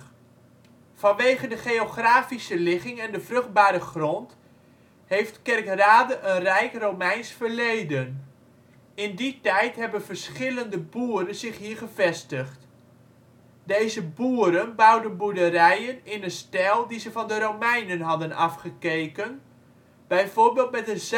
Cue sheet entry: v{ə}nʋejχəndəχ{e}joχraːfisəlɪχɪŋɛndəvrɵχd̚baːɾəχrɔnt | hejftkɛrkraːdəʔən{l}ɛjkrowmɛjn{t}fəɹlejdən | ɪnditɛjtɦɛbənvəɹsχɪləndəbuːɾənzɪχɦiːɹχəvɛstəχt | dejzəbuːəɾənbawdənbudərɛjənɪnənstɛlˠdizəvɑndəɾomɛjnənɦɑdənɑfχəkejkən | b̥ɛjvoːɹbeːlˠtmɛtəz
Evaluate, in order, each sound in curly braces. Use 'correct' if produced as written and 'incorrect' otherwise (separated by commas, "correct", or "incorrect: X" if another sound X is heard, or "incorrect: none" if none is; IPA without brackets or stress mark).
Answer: incorrect: ɑ, correct, incorrect: r, incorrect: s